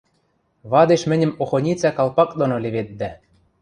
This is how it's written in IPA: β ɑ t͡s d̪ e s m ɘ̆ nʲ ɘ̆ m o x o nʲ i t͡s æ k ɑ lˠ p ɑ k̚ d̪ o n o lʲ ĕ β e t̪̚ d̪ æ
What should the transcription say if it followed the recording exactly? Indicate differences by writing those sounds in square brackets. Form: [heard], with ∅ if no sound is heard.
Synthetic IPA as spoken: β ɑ [∅] d̪ e [ʃ] m ɘ̆ nʲ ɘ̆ m o x o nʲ i t͡s æ k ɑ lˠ p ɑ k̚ d̪ o n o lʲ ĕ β e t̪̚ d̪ æ

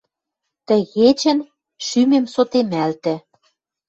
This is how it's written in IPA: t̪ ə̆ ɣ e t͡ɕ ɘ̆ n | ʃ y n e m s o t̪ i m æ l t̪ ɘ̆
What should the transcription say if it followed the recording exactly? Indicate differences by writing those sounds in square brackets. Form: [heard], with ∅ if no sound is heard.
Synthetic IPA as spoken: t̪ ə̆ ɣ e t͡ɕ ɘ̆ n | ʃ y [m] e m s o t̪ [e] m æ l t̪ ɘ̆

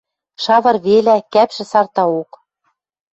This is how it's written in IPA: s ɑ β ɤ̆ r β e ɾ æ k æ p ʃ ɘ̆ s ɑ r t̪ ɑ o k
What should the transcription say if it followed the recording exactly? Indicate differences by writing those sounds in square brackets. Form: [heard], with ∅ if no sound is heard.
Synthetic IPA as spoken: [ʃ] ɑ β ɤ̆ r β e [l] æ k æ p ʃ ɘ̆ s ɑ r t̪ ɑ o k

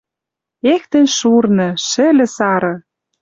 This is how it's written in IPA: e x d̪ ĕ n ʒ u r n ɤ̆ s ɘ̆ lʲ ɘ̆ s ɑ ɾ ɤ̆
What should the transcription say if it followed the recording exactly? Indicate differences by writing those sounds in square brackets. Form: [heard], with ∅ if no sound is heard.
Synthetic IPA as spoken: e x [t̪] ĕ n [ʃ] u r n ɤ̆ [ʃ] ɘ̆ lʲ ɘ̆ s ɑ ɾ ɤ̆

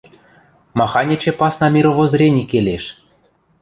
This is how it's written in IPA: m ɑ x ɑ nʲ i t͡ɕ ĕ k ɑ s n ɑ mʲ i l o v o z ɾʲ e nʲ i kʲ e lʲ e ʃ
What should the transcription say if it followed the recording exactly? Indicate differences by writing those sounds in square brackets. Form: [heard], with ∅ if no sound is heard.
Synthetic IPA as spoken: m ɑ x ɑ nʲ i t͡ɕ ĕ [p] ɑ s n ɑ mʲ i [ɾ] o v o z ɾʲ e nʲ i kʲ e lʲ e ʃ

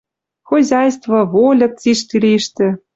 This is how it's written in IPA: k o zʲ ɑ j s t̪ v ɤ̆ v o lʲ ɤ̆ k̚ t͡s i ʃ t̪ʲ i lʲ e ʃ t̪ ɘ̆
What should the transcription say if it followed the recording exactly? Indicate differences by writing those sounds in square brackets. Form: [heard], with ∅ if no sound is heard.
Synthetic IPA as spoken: [x] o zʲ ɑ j s t̪ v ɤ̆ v o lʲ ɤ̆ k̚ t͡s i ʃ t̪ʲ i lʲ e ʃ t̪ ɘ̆

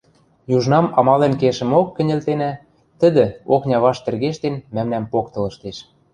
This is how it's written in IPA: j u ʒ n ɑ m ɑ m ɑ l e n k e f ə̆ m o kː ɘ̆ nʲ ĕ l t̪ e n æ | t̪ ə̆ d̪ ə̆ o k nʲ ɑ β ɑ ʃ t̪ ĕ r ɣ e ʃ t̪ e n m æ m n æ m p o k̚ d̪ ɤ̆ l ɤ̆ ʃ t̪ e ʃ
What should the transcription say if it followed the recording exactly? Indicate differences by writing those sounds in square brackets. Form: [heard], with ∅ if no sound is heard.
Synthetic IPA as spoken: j u ʒ n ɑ m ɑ m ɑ l e n k e [ʃ] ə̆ m o kː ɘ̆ nʲ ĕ l t̪ e n æ | t̪ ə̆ d̪ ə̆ o k nʲ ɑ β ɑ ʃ t̪ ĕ r ɣ e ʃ t̪ e n m æ m n æ m p o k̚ [t̪] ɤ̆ l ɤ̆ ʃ t̪ e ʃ

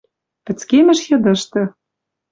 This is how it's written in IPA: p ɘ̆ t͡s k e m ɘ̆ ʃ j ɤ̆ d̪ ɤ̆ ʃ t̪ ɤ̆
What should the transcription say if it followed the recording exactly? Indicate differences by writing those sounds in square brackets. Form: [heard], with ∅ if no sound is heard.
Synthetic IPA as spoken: p ɘ̆ t͡s k e m ɘ̆ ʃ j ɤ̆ d̪ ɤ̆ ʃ t̪ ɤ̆

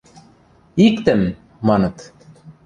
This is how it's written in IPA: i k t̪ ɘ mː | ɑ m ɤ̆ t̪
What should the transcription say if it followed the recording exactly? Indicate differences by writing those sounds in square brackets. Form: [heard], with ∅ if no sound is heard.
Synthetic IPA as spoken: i k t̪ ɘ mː | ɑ [n] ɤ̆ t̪

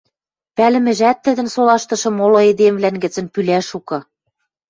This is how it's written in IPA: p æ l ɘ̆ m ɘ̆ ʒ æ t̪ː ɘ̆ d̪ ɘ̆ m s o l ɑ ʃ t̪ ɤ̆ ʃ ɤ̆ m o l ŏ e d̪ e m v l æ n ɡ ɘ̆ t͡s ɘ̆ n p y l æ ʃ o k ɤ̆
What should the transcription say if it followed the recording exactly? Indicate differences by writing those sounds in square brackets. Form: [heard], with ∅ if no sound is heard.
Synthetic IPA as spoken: p æ l ɘ̆ m ɘ̆ ʒ æ t̪ː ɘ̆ d̪ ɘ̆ [n] s o l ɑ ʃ t̪ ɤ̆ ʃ ɤ̆ m o l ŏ e d̪ e m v l æ n ɡ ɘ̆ t͡s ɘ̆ n p y l æ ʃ [u] k ɤ̆

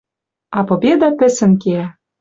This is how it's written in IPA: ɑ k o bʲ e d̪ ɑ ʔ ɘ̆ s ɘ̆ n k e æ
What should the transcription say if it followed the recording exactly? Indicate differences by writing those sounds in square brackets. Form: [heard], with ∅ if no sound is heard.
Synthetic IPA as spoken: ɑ [p] o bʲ e d̪ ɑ [p] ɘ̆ s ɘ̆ n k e æ

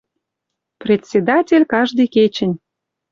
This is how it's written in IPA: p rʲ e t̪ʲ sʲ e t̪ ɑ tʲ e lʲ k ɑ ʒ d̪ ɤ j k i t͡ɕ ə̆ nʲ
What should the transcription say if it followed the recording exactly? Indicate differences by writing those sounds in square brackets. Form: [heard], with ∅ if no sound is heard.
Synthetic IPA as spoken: p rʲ e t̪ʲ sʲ e [d̪] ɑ tʲ e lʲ k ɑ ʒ d̪ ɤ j k [e] t͡ɕ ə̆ nʲ

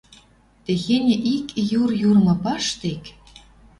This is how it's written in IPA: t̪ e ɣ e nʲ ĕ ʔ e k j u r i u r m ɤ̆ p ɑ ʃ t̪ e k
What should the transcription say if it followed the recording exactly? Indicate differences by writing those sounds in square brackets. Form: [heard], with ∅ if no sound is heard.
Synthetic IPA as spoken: t̪ e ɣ e nʲ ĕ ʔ [i] k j u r [j] u r m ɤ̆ p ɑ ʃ t̪ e k

